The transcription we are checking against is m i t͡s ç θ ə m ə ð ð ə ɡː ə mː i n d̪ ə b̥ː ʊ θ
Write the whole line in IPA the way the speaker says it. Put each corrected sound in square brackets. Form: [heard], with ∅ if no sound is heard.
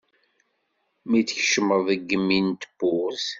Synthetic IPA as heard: m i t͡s ç [ʃ] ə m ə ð ð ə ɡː ə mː i n [t̪] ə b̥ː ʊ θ